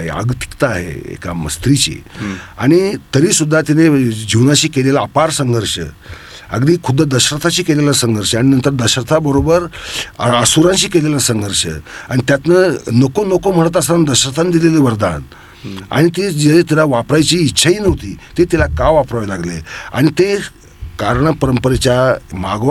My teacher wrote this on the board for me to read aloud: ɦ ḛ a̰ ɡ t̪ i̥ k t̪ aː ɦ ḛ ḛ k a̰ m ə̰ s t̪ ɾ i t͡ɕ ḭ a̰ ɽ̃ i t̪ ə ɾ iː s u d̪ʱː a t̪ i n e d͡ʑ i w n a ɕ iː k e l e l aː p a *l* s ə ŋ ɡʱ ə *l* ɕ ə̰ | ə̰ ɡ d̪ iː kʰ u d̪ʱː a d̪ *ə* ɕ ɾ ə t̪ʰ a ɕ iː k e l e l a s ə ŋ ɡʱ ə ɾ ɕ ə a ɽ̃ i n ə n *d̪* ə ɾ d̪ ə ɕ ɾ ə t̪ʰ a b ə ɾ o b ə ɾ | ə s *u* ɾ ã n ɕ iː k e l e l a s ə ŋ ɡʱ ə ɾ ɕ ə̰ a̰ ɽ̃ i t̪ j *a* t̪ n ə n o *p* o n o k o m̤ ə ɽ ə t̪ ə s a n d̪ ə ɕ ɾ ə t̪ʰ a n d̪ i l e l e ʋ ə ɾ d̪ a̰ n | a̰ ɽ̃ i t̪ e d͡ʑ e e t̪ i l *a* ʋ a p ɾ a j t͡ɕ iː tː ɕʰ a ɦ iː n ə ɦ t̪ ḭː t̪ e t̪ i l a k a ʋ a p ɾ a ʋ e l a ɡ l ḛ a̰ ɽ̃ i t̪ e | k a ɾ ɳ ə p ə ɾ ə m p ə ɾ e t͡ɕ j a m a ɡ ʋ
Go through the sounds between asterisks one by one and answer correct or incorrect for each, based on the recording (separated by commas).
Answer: incorrect, incorrect, correct, incorrect, correct, correct, incorrect, correct